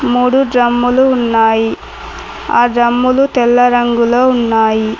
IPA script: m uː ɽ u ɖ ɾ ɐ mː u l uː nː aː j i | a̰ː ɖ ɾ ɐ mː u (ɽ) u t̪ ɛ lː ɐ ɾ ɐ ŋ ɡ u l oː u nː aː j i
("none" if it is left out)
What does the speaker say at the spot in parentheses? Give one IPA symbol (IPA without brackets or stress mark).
l